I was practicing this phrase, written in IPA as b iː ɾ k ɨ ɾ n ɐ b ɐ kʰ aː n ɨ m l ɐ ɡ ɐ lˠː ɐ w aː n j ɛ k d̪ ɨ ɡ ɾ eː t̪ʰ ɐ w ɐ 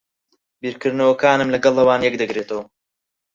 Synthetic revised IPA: b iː ɾ k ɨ ɾ n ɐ w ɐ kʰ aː n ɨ m l ɐ ɡ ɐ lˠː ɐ w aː n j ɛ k d̪ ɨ ɡ ɾ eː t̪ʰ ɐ w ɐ